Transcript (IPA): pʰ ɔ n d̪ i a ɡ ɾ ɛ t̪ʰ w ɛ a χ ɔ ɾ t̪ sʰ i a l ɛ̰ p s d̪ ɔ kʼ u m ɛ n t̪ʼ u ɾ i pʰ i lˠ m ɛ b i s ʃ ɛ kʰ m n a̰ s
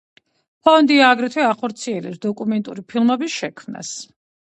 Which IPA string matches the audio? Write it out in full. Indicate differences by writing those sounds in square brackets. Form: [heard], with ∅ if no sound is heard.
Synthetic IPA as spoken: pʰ ɔ n d̪ i a ɡ ɾ ɛ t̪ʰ w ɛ a χ ɔ ɾ t̪ sʰ i [ɛ] l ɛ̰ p s d̪ ɔ kʼ u m ɛ n t̪ʼ u ɾ i pʰ i lˠ m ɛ b i s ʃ ɛ kʰ m n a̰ s